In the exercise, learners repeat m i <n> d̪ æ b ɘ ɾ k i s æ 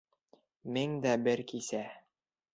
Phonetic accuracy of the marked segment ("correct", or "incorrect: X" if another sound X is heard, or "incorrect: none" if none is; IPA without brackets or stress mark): incorrect: ŋ